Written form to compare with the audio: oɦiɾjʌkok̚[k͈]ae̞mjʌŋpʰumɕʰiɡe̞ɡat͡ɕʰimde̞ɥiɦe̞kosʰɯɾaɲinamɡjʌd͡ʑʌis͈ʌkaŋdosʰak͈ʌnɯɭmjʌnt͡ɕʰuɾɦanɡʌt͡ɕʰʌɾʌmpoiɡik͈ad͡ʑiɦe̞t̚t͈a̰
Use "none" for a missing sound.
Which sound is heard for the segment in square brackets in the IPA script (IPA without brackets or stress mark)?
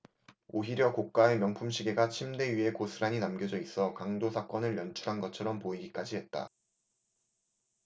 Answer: k͈